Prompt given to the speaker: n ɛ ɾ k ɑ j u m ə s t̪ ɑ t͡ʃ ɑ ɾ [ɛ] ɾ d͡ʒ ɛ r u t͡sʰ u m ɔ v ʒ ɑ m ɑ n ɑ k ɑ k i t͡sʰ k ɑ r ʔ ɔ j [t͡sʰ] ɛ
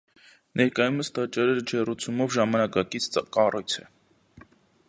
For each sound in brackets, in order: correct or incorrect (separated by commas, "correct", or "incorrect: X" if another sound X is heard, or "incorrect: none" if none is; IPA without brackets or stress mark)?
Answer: correct, correct